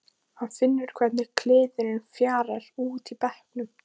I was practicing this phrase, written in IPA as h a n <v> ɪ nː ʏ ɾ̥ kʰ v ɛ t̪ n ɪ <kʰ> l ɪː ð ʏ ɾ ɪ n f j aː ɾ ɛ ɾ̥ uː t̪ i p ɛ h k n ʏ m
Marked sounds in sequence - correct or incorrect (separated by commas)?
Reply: incorrect, correct